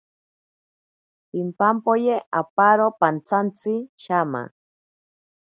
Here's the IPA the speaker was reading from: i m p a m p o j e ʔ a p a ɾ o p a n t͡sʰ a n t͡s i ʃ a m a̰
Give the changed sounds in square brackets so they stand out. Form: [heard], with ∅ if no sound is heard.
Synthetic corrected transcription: i m p a m p o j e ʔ a p a ɾ o p a n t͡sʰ a n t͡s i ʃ a m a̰